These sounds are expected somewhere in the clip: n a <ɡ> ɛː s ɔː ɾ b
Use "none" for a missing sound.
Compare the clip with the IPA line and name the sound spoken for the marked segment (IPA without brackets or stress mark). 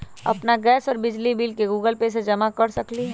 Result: ɡ